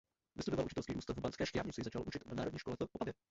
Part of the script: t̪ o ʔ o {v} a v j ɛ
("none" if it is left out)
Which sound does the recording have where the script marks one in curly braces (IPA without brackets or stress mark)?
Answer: b